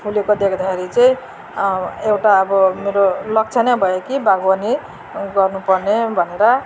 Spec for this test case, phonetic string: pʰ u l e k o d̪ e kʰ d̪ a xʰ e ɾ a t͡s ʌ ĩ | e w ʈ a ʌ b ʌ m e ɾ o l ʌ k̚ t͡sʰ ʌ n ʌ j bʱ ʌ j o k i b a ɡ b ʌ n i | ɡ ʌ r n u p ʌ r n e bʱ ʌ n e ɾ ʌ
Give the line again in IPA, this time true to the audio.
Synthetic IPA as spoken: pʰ u l e k o d̪ e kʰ d̪ a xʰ e ɾ i t͡s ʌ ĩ | e w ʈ a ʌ b ʌ m e ɾ o l ʌ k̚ t͡sʰ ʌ n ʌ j bʱ ʌ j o k i b a ɡ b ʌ n i | ɡ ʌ r n u p ʌ r n e bʱ ʌ n e ɾ ʌ